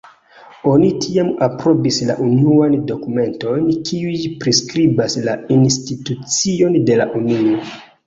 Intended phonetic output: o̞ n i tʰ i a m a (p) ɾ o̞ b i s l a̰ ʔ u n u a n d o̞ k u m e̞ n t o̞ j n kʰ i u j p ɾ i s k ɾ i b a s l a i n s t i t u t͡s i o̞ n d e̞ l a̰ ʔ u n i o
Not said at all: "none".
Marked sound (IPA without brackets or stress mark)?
p